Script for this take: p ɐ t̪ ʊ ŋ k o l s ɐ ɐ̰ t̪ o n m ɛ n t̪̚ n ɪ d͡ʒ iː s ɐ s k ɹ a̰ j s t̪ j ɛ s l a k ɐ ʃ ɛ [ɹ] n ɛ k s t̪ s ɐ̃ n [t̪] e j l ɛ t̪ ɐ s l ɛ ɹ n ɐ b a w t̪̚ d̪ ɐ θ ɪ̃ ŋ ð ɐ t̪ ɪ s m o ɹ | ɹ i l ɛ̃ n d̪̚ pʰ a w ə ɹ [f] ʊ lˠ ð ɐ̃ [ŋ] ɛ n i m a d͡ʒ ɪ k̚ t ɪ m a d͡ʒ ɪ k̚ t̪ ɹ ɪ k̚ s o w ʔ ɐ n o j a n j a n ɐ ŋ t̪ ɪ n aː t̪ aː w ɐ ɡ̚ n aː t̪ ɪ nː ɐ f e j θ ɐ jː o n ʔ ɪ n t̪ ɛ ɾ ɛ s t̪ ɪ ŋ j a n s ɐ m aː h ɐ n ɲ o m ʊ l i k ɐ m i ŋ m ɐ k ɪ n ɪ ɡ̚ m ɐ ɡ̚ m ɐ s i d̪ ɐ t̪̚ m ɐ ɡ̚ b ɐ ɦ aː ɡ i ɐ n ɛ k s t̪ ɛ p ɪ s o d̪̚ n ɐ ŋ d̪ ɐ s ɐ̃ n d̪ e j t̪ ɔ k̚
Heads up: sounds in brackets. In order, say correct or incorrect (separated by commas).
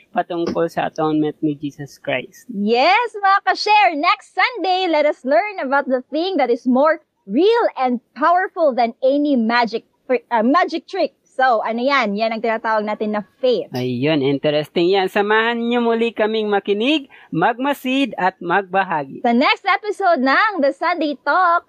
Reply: correct, incorrect, correct, incorrect